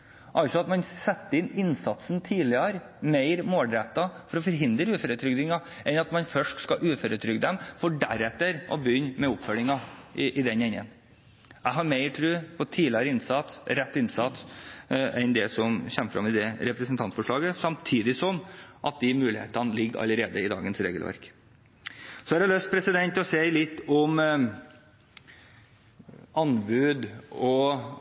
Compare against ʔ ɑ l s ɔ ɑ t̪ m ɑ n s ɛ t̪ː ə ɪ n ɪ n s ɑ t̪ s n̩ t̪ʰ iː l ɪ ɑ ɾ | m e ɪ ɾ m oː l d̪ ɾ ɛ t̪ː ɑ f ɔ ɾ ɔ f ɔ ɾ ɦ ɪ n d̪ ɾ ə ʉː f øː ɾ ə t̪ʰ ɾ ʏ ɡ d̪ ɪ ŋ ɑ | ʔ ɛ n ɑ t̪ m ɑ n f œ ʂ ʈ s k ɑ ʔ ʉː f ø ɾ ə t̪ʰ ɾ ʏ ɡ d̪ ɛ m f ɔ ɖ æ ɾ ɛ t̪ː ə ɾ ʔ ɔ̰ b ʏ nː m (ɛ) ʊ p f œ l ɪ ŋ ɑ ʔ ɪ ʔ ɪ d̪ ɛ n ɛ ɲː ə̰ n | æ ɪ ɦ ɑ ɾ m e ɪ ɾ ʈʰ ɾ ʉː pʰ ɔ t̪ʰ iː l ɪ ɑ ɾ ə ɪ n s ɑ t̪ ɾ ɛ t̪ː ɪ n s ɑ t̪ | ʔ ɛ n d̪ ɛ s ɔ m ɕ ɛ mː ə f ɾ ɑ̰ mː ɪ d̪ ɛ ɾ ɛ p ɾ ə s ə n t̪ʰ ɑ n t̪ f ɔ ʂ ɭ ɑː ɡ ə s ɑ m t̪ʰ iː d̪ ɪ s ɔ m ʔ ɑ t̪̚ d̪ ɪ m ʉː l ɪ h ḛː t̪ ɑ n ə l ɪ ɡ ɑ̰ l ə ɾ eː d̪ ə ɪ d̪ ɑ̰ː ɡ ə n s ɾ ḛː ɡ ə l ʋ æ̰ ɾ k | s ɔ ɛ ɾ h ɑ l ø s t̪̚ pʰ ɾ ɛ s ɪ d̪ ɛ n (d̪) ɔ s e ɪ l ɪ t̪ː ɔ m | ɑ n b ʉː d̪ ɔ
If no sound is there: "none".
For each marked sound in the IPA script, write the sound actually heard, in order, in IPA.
ɛ, t̪

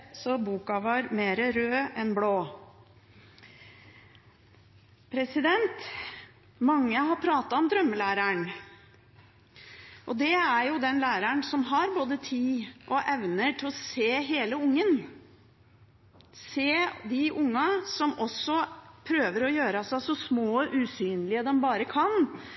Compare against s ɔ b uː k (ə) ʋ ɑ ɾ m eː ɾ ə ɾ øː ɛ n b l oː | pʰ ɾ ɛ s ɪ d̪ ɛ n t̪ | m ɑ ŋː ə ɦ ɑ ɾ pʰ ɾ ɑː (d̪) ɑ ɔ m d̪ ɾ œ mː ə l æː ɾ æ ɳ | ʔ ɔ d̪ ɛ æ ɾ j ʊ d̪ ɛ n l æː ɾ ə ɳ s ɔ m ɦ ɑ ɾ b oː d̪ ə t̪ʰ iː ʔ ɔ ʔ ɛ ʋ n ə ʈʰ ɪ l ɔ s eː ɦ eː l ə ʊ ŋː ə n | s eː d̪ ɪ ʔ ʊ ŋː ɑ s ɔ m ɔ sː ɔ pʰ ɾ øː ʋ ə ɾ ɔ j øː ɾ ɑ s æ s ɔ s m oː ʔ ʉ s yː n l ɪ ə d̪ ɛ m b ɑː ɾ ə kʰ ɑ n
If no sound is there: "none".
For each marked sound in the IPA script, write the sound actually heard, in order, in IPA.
ɑ, t̪

